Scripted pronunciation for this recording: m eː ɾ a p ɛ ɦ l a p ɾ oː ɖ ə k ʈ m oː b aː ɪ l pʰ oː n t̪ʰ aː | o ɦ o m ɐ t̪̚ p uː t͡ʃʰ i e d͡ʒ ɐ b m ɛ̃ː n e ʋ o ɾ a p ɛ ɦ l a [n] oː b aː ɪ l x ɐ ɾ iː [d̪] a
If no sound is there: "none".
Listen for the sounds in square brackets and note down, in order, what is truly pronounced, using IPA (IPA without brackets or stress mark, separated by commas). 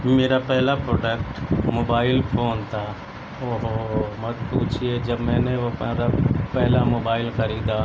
m, d̪